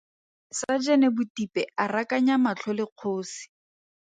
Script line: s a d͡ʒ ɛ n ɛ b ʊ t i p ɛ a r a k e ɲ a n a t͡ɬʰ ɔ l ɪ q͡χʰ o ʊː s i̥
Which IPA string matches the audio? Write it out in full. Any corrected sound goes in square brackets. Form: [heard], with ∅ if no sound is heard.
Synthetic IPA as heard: s a d͡ʒ ɛ n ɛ b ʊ t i p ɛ a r a k [a] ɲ a [m] a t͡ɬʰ ɔ l ɪ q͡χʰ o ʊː s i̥